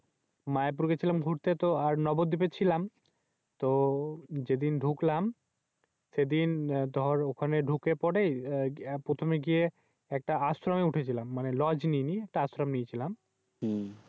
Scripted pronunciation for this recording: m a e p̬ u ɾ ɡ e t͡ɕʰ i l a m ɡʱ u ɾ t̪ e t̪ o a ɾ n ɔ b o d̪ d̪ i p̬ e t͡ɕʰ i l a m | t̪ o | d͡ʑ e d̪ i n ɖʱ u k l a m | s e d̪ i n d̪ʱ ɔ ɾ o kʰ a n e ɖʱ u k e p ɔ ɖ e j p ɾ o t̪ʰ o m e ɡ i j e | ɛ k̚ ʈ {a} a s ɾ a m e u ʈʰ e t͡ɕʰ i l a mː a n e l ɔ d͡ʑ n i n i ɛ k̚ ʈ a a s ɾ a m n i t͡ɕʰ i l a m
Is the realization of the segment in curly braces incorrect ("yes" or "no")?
no